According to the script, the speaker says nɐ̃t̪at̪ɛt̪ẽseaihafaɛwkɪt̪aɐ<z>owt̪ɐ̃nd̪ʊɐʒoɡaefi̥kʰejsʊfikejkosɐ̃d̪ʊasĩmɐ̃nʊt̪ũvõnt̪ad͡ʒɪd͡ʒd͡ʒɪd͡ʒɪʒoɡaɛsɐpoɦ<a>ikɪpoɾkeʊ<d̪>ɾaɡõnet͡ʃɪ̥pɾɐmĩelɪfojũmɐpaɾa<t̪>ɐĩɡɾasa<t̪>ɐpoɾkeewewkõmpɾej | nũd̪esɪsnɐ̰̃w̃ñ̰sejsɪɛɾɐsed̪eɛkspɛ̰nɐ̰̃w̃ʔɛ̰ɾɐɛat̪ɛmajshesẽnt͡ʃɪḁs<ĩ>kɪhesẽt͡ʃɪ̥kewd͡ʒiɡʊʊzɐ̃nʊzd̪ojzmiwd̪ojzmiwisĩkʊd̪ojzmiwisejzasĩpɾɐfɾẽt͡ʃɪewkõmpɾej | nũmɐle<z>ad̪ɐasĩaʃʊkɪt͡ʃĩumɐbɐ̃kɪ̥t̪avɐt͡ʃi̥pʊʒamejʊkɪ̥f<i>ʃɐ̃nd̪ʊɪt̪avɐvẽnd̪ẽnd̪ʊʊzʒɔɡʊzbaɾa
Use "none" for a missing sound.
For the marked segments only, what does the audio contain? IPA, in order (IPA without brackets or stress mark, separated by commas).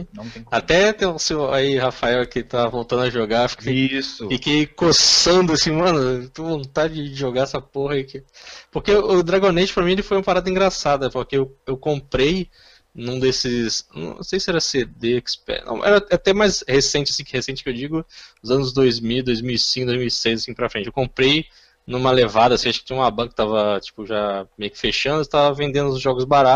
v, ɐ, d̪, d̪, d̪, ĩ, v, e